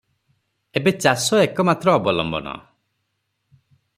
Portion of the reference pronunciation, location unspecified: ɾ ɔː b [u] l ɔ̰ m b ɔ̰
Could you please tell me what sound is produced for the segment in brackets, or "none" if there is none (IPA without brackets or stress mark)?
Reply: ɔ